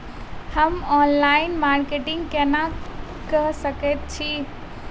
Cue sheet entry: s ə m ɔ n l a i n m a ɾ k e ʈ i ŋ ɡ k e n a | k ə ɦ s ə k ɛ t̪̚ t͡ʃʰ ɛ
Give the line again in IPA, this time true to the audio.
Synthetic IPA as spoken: h ə m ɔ n l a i n m a ɾ k e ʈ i ŋ ɡ k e n a | k ə ɦ s ə k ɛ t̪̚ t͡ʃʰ i

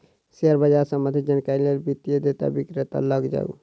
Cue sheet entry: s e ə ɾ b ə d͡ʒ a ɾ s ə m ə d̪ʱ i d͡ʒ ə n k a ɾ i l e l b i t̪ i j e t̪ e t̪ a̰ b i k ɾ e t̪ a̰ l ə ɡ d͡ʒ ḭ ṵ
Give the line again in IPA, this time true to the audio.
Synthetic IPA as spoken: s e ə ɾ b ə d͡ʒ a ɾ s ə m ə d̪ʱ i d͡ʒ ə n k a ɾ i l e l b i t̪ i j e d̪ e t̪ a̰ b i k ɾ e t̪ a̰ l ə ɡ d͡ʒ a̰ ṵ

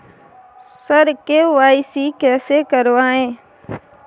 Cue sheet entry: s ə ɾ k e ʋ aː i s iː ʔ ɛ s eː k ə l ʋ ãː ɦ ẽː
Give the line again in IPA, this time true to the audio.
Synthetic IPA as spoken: s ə ɾ k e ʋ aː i s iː k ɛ s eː k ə ɾ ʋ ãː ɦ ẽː

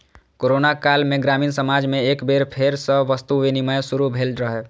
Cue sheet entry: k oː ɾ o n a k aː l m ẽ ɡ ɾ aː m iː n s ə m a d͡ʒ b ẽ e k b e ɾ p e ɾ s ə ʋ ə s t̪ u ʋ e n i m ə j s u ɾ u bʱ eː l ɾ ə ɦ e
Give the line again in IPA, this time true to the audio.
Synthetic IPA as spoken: k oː ɾ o n a k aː l m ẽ ɡ ɾ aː m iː n s ə m a d͡ʒ m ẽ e k b e ɾ pʰ e ɾ s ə ʋ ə s t̪ u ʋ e n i m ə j s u ɾ u bʱ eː l ɾ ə ɦ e

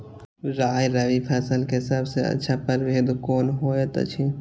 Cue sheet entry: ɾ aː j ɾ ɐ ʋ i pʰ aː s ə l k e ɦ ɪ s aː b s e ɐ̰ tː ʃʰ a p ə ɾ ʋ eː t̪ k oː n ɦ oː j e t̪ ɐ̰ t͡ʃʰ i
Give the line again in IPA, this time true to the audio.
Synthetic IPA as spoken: ɾ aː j ɾ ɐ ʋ i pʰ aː s ə l k e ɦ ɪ s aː b s e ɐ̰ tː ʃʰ a p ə ɾ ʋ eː d̪ k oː n ɦ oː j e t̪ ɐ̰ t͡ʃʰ i

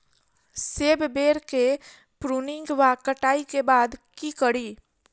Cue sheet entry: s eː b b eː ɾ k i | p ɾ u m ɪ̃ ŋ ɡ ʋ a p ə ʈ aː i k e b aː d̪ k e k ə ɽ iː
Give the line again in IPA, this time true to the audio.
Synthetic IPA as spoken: s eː b b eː ɾ k e | p ɾ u n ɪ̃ ŋ ɡ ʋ a k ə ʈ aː i k e b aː d̪ k i k ə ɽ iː

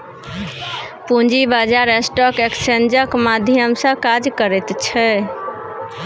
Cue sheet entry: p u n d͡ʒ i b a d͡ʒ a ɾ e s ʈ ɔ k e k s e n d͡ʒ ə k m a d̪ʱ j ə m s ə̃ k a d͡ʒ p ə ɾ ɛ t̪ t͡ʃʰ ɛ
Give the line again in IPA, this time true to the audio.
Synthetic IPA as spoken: p u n d͡ʒ i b a d͡ʒ a ɾ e s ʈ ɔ k e k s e n d͡ʒ ə k m a d̪ʱ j ə m s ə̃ k a d͡ʒ k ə ɾ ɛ t̪ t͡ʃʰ ɛ

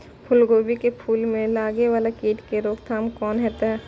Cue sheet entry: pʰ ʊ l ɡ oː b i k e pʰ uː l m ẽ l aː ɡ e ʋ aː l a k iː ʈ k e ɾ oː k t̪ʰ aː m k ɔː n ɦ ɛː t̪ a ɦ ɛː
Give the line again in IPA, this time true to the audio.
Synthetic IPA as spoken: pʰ ʊ l ɡ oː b i k e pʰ uː l m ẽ l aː ɡ e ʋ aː l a k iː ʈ k e ɾ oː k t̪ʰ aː m k ɔː n ɦ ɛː t̪ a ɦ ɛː

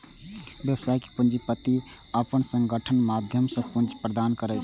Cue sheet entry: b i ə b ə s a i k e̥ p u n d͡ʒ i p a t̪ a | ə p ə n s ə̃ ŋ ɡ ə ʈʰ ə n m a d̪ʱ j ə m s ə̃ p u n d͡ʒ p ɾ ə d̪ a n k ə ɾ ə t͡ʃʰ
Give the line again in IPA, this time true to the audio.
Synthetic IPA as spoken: b j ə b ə s a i k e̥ p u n d͡ʒ i p ə t̪ i | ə p ə n s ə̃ ŋ ɡ ə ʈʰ ə n m a d̪ʱ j ə m s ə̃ p u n d͡ʒ p ɾ ə d̪ a n k ə ɾ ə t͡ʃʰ

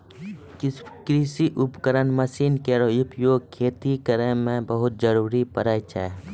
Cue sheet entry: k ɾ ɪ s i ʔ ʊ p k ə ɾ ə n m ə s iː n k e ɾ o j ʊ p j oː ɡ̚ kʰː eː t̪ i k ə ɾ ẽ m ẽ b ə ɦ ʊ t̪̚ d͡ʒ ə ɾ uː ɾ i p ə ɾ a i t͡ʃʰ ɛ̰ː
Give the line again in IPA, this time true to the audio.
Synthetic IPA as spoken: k ɾ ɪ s i ʔ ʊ p k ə ɾ ə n m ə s iː n k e ɾ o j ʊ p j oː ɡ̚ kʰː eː t̪ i k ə ɾ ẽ m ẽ b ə ɦ ʊ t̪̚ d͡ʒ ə ɾ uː ɾ i p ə ɾ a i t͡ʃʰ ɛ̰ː

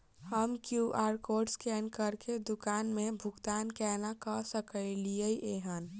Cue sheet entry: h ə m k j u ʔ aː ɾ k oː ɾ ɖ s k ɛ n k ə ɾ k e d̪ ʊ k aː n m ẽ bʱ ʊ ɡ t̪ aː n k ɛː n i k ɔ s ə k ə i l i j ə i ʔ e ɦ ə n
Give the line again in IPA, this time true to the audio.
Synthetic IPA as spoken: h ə m k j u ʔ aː ɾ k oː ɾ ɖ s k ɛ n k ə ɾ k e d̪ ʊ k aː n m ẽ bʱ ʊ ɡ t̪ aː n k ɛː n a k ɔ s ə k ə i l i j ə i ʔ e ɦ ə n

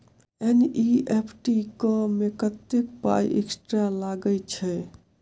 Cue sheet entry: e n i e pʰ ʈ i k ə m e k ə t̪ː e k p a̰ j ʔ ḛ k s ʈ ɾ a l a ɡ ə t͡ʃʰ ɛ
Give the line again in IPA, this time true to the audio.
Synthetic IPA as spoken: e n i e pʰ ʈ i k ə m e k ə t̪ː e k p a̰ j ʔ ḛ k s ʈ ɾ a l a ɡ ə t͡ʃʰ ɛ

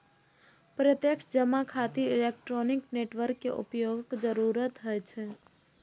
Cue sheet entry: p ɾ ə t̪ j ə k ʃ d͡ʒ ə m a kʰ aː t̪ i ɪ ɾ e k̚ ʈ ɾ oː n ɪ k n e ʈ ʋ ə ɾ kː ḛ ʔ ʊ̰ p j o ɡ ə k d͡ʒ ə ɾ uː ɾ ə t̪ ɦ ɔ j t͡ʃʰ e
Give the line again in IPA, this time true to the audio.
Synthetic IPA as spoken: p ɾ ə t̪ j ə k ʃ d͡ʒ ə m a kʰ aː t̪ i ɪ l e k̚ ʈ ɾ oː n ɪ k n e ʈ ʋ ə ɾ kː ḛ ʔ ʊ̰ p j o ɡ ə k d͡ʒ ə ɾ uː ɾ ə t̪ ɦ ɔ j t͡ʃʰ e

